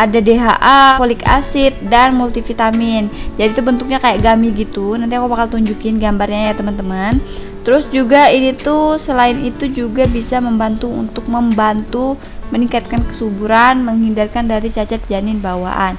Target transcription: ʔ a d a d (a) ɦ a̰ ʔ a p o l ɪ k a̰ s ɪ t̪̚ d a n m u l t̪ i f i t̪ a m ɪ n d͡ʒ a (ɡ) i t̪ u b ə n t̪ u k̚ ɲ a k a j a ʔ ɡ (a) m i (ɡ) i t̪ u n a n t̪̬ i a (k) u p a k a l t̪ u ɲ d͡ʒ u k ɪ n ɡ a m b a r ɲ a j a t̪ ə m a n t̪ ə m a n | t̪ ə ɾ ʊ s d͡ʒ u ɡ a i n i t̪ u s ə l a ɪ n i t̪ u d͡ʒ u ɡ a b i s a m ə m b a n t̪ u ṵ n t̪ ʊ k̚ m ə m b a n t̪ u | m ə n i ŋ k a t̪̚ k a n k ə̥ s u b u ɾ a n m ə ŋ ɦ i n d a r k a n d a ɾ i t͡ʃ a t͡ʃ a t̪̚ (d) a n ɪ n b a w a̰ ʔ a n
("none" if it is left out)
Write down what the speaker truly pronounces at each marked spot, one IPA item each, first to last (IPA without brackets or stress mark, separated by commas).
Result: e, d, a, ɡ, k, d͡ʒ